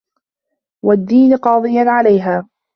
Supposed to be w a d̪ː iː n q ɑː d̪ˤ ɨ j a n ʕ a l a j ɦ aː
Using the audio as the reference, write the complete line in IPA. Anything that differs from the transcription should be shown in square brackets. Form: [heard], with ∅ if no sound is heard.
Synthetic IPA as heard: w a d̪ː iː n q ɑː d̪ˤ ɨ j a n ʕ a l a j ɦ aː